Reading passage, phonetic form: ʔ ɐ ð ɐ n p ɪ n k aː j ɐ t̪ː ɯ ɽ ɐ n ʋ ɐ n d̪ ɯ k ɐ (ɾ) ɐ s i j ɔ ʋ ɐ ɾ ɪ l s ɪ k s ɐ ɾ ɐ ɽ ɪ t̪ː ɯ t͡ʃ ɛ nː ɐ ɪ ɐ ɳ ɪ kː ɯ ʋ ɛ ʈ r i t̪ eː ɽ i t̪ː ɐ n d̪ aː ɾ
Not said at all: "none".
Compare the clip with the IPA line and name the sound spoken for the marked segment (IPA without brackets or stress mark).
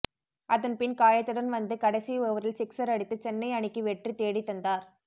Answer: ɽ